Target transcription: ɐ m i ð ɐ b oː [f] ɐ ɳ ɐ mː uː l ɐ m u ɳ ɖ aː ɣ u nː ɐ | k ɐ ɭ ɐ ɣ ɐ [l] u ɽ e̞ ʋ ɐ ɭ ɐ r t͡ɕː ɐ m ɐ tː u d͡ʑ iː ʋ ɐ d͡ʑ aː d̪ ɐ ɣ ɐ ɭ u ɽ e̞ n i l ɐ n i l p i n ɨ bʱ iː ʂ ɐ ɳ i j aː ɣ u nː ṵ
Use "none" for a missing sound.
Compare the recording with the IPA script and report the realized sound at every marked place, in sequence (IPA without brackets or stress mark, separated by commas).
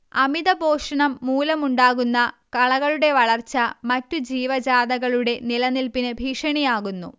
ʂ, ɭ